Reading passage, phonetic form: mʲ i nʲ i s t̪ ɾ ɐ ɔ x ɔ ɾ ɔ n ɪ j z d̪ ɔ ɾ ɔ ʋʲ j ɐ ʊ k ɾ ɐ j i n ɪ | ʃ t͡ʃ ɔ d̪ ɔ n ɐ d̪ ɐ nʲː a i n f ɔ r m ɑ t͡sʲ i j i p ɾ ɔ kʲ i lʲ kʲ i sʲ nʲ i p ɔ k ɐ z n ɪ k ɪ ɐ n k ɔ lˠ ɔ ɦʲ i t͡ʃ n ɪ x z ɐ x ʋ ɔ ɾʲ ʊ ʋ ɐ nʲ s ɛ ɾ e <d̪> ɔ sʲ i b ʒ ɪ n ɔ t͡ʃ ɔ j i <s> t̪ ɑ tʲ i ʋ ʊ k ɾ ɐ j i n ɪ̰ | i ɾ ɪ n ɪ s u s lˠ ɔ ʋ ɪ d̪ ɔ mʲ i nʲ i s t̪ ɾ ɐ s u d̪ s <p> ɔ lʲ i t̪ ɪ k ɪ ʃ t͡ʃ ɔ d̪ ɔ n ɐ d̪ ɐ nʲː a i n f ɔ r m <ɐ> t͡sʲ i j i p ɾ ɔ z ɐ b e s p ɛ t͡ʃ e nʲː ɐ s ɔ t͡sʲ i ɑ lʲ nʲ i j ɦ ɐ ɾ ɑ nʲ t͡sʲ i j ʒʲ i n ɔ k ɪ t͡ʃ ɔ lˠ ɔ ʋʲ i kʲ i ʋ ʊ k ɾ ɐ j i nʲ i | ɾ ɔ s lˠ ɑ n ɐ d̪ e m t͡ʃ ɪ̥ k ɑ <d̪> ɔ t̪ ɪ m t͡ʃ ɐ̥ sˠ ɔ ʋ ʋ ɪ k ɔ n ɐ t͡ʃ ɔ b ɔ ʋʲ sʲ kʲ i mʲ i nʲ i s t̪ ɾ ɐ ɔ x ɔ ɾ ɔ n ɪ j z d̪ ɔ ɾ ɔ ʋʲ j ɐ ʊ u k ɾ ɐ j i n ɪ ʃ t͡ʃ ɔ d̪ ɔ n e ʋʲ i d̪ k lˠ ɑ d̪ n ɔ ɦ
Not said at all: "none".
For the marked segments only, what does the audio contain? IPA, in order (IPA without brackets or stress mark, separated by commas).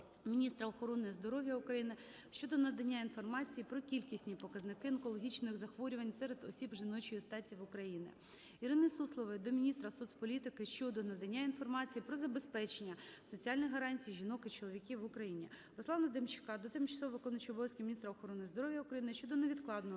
d̪, s, p, ɑ, d̪